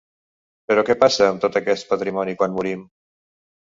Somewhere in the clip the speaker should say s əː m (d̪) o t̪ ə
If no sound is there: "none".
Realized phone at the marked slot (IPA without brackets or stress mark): t̪